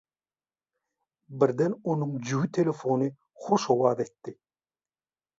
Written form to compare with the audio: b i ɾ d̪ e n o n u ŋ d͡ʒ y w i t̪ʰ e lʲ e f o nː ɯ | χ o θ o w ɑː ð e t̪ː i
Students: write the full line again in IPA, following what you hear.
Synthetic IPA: b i ɾ d̪ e n o n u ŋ d͡ʒ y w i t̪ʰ e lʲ e f o n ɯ | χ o ʃ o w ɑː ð e t̪ː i